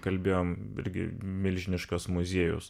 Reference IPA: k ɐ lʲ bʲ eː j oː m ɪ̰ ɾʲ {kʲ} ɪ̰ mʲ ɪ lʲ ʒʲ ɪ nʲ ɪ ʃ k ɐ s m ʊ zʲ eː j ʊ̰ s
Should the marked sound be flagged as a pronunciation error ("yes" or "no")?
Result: yes